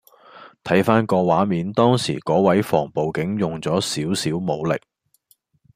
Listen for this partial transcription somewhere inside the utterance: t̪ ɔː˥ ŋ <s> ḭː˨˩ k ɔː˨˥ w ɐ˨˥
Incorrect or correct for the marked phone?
correct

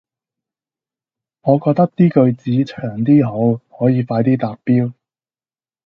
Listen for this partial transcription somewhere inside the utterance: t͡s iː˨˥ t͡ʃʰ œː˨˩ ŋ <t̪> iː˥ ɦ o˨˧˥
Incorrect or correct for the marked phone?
correct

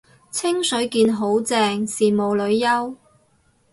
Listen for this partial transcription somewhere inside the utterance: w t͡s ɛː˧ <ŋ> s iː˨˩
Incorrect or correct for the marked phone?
correct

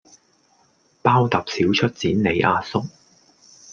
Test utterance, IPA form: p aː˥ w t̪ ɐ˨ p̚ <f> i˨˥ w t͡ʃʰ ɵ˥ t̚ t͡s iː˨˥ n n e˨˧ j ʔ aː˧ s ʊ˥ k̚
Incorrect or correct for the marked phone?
incorrect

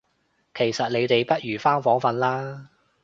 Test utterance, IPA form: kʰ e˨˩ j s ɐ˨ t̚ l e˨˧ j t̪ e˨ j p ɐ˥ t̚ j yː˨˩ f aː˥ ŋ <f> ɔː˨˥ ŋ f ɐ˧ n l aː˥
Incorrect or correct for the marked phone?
correct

